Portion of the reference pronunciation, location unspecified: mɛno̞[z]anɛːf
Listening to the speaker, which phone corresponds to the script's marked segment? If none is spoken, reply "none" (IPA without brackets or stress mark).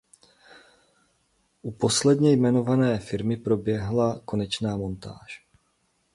v